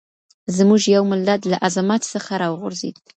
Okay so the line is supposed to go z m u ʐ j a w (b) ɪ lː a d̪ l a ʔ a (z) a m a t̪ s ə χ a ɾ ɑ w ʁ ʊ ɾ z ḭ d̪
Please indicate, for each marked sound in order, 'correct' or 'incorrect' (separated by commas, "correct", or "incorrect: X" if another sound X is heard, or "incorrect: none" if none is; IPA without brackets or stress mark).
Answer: incorrect: m, correct